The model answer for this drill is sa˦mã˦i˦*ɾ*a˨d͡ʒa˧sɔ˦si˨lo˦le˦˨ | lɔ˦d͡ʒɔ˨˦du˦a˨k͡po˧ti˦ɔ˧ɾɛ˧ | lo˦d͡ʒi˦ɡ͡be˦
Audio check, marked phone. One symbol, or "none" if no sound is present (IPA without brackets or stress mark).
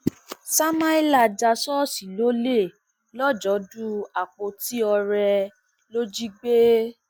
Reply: l